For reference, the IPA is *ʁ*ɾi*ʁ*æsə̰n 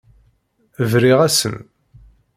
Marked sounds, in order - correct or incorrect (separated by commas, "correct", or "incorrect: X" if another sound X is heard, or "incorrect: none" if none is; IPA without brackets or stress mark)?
incorrect: v, correct